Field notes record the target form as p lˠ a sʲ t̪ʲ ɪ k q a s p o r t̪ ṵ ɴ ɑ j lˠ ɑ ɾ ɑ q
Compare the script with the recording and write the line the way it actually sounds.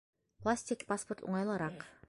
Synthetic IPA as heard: p lˠ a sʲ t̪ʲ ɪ k p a s p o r t̪ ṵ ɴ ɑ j lˠ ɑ ɾ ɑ q